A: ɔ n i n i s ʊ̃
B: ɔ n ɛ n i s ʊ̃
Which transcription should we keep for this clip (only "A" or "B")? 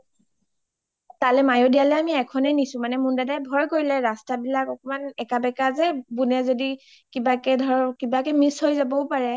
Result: B